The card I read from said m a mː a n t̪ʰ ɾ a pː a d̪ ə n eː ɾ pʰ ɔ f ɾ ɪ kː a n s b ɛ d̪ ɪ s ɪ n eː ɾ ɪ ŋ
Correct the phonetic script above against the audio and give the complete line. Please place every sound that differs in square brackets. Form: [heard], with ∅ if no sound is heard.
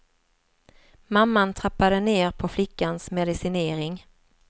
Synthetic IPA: m a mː a n t̪ʰ ɾ a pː a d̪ ə n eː ɾ pʰ ɔ f [l] ɪ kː a n s [m] ɛ d̪ ɪ s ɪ n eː ɾ ɪ ŋ